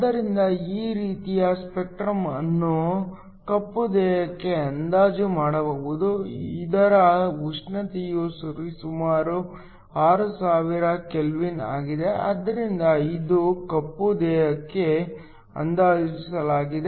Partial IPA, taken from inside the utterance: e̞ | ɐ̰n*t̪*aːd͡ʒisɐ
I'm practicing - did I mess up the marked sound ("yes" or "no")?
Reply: yes